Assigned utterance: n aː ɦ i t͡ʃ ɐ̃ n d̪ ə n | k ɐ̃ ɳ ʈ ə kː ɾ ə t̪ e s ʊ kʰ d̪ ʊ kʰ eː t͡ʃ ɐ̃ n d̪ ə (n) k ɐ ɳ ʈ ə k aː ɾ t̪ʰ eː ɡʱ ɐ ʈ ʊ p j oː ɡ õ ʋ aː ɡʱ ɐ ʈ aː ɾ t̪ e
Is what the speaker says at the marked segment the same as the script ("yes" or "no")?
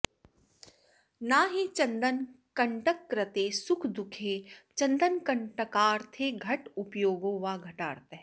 yes